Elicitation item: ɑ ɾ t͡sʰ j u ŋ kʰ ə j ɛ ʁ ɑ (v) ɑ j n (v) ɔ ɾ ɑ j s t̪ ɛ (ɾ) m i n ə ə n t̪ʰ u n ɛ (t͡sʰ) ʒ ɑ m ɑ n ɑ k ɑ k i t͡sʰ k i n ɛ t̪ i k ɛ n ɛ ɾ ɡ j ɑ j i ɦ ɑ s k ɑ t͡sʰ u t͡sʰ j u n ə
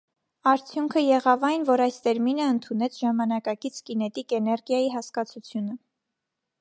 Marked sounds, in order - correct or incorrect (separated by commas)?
correct, correct, correct, correct